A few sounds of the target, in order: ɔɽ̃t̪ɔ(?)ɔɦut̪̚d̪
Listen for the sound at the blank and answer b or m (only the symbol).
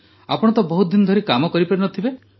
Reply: b